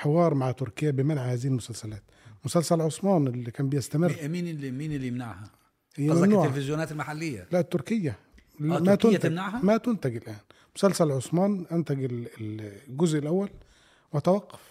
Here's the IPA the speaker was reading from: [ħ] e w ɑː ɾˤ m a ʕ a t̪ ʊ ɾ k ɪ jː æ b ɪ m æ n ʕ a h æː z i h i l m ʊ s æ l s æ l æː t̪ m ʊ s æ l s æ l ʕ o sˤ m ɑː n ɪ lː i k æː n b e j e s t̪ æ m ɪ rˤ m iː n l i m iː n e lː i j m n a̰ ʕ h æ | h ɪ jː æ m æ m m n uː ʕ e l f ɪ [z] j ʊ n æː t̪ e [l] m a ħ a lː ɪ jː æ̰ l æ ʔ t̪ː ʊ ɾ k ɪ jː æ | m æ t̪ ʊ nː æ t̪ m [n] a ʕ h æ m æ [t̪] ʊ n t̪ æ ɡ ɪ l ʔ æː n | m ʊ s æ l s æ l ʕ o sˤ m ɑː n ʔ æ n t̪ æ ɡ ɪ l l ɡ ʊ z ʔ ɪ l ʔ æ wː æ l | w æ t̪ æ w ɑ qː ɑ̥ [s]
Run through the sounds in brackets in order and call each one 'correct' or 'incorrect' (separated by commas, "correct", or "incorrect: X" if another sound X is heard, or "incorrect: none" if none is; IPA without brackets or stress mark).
correct, correct, correct, correct, correct, incorrect: f